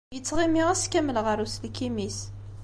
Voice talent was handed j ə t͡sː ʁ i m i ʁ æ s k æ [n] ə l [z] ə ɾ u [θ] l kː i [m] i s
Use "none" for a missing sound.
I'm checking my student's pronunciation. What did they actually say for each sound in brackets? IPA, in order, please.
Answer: m, ʁ, s, m

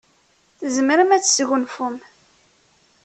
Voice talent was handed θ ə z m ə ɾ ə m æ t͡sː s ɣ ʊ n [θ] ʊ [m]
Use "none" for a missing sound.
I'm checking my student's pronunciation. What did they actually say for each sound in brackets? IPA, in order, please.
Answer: f, m

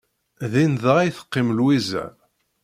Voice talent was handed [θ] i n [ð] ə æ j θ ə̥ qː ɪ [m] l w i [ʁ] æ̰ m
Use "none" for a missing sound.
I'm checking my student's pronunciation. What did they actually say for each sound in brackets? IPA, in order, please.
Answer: ð, ð, m, z

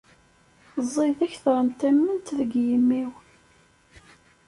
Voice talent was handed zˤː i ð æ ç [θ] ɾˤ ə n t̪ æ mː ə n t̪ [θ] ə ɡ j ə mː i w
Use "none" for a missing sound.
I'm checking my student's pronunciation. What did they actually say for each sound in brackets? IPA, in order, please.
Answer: θ, ð

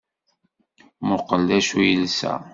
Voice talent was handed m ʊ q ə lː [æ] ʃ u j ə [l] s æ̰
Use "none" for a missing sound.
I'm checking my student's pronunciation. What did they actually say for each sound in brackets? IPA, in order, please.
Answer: æ, l

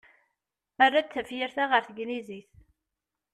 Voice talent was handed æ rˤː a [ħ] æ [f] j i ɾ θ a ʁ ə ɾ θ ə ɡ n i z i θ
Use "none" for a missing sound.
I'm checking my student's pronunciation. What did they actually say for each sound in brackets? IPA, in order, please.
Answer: θ, f

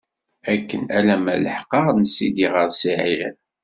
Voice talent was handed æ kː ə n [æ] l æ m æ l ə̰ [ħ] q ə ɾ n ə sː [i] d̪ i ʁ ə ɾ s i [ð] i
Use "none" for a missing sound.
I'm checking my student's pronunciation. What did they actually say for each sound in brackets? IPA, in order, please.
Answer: æ, ħ, i, ʕ

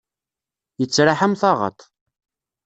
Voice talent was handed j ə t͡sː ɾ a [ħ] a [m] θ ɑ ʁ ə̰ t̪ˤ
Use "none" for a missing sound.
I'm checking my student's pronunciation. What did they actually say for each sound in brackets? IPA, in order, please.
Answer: ħ, m

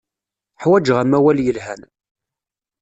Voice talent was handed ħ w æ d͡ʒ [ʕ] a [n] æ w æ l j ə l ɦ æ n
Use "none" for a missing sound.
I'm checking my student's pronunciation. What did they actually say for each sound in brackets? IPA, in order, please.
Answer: ʁ, m

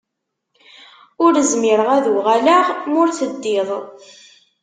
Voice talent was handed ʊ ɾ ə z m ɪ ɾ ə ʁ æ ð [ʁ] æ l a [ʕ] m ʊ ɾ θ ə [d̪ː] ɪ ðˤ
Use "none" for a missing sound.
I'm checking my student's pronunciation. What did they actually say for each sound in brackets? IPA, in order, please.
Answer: ʁ, ʁ, d̪ː

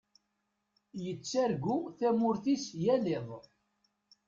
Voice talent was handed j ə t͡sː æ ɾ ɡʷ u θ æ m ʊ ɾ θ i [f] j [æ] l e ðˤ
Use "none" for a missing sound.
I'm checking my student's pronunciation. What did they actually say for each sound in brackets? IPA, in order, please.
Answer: s, æ

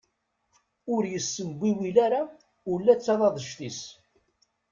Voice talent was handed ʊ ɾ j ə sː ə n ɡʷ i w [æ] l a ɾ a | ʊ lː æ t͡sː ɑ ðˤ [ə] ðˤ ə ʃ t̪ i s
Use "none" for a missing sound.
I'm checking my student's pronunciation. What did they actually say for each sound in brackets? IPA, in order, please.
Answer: i, ɑ

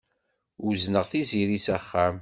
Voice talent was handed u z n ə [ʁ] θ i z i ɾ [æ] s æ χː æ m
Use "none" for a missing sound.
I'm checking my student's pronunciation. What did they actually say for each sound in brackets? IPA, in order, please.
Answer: ʁ, i

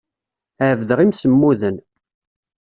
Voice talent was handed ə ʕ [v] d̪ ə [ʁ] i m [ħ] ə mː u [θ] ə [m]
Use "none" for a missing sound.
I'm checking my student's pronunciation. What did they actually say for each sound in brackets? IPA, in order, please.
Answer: v, ʁ, s, ð, n

